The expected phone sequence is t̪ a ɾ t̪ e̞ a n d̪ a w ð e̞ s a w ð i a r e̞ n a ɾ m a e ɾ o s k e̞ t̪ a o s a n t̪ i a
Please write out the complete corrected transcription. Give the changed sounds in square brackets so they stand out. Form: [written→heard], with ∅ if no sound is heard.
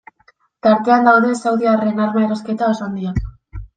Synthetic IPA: t̪ a ɾ t̪ e̞ a n d̪ a w ð e̞ s a w ð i a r e̞ n a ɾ m a e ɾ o s k e̞ t̪ a o s a n [t̪→d̪] i a